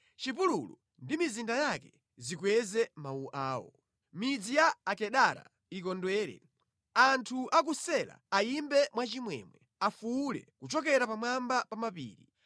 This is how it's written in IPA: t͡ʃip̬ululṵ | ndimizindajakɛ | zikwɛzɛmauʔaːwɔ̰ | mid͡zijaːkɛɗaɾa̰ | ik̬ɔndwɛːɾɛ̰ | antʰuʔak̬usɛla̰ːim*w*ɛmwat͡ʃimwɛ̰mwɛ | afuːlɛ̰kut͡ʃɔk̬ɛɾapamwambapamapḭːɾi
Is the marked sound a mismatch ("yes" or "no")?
yes